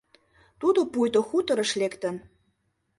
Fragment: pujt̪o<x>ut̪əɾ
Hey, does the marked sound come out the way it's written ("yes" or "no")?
yes